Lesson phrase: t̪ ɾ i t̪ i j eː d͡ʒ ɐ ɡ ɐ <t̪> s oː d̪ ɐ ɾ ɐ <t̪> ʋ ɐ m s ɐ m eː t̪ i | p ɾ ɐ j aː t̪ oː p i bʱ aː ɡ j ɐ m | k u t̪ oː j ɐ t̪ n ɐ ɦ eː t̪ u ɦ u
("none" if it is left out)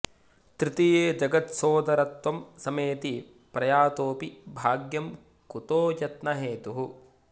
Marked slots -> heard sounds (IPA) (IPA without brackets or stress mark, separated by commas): t̪, t̪